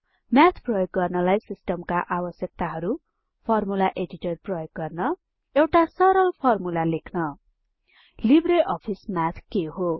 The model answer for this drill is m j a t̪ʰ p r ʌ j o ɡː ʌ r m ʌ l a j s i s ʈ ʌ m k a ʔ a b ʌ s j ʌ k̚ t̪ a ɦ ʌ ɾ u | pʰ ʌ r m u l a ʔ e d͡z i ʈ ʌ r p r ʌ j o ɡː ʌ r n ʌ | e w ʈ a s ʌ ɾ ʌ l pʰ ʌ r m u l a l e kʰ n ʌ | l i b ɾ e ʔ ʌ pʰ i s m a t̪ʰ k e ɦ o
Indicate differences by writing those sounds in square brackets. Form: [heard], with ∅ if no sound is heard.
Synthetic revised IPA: m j a t̪ʰ p r ʌ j o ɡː ʌ r [n] ʌ l a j s i s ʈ ʌ m k a ʔ a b ʌ s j ʌ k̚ t̪ a ɦ ʌ ɾ u | pʰ ʌ r m u l a ʔ e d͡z i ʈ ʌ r p r ʌ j o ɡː ʌ r n ʌ | e w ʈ a s ʌ ɾ ʌ l pʰ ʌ r m u l a l e kʰ n ʌ | l i b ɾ e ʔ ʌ pʰ i s m a t̪ʰ k e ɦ o